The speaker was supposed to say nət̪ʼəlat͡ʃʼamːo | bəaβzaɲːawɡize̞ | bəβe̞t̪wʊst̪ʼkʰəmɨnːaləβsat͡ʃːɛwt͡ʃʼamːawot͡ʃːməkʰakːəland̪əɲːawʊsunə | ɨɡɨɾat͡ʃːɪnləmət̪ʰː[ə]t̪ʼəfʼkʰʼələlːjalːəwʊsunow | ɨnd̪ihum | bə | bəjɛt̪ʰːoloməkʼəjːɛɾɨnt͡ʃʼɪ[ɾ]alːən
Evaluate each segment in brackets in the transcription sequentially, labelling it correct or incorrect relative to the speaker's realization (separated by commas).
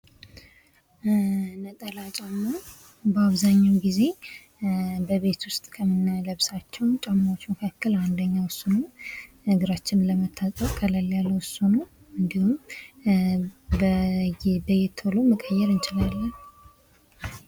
incorrect, incorrect